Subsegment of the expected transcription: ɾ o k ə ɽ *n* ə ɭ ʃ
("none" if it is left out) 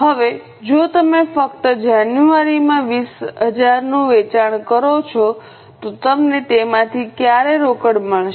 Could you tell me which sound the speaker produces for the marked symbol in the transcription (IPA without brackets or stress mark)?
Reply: m